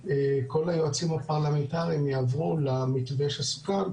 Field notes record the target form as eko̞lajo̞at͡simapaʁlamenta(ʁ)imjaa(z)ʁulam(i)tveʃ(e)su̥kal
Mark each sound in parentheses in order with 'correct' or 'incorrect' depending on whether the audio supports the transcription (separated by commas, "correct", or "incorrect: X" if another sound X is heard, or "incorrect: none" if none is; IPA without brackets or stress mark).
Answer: correct, incorrect: v, correct, incorrect: a